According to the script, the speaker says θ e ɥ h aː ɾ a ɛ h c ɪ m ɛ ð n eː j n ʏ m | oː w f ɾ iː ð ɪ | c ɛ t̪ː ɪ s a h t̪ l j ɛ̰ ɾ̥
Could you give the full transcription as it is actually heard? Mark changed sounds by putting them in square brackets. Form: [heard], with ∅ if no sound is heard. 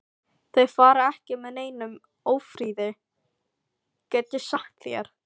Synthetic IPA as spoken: θ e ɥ [f] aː ɾ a ɛ h c ɪ m ɛ ð n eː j n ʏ m | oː w f ɾ iː ð ɪ | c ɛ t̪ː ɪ s a h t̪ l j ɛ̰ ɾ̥